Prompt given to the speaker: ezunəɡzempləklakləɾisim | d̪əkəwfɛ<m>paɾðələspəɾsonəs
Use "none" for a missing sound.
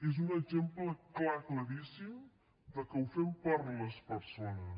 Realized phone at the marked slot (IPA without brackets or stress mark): m